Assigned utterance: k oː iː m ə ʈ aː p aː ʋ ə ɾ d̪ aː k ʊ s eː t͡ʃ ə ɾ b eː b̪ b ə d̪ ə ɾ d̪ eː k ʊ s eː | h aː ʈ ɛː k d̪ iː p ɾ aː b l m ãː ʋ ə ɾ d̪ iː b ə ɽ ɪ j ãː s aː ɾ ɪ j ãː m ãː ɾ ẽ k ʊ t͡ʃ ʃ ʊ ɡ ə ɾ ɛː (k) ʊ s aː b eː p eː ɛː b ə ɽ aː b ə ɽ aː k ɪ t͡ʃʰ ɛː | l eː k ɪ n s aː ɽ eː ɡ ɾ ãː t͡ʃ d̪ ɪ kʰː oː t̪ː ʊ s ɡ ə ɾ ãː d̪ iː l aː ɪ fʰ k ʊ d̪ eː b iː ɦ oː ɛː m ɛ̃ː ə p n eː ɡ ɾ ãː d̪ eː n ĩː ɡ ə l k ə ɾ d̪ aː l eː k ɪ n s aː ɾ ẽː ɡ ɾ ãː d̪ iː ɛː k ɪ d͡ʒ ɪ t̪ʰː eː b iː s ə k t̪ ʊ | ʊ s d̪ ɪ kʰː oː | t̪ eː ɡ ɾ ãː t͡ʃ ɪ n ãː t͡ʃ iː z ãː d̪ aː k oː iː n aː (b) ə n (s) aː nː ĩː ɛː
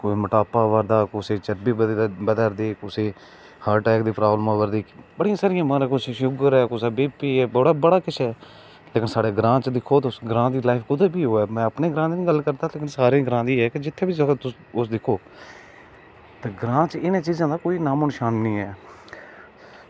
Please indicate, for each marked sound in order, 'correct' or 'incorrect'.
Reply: correct, incorrect: m, incorrect: ʃ

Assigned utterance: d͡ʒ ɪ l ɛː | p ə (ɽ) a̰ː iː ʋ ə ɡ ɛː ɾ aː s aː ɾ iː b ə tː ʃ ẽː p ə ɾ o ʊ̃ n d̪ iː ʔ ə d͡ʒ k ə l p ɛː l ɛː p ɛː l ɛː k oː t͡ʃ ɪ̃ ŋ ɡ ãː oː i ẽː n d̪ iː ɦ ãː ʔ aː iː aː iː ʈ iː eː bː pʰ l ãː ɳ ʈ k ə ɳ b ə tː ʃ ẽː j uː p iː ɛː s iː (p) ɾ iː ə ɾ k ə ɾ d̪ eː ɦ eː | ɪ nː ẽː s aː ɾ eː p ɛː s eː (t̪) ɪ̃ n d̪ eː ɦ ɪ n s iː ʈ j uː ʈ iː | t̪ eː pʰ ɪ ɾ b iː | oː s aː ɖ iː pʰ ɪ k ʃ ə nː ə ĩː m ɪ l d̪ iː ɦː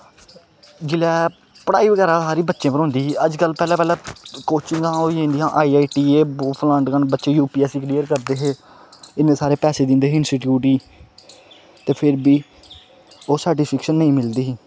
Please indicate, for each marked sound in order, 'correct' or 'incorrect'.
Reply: correct, incorrect: k, incorrect: d̪

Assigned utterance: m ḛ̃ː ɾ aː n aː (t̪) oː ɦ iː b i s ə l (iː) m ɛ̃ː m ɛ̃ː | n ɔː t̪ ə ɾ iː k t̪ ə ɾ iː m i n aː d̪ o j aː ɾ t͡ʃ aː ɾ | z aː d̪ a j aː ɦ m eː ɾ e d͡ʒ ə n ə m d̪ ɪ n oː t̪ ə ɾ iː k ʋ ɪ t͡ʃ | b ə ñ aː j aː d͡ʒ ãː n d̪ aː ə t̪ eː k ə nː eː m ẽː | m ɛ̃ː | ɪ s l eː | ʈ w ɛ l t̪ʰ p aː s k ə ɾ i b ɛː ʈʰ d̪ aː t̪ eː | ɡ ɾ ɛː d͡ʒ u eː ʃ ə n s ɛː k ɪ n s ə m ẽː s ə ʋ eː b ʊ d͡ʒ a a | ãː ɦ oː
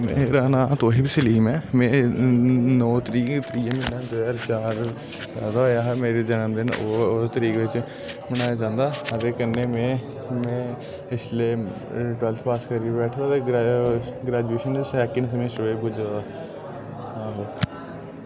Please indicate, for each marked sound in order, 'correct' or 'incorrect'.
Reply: correct, correct

